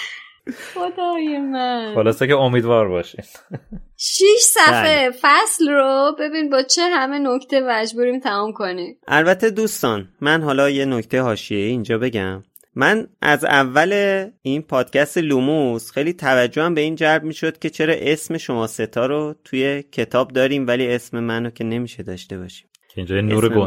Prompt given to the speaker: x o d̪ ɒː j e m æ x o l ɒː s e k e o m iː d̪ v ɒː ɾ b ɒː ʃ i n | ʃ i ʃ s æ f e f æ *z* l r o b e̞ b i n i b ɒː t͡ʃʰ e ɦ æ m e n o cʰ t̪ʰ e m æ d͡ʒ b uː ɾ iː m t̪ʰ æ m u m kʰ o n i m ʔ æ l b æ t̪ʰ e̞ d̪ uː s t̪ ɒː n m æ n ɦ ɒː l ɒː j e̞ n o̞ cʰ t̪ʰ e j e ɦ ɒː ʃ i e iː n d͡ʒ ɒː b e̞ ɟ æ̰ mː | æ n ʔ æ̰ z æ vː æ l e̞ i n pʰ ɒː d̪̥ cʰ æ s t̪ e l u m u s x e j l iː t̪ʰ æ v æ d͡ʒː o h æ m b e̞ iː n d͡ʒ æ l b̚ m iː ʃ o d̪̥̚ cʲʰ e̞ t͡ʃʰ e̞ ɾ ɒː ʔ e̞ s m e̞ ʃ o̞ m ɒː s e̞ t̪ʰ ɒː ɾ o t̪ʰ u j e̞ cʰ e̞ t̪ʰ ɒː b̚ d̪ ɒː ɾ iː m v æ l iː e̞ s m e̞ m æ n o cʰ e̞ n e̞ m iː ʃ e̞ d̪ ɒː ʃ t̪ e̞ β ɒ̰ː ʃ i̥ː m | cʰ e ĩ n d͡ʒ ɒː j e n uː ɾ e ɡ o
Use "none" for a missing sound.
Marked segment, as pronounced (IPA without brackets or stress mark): s